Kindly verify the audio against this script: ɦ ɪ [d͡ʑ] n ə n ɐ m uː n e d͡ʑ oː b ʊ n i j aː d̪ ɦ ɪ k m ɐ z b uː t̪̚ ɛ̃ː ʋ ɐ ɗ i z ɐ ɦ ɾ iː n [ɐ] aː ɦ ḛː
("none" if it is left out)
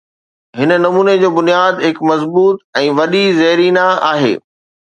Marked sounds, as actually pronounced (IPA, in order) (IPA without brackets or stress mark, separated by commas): none, a